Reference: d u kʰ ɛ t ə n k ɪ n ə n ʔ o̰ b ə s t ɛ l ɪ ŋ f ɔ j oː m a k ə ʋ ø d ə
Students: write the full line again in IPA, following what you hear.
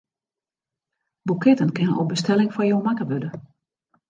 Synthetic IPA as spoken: b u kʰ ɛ t ə n k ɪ n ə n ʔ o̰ b ə s t ɛ l ɪ ŋ f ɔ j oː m a k ə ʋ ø d ə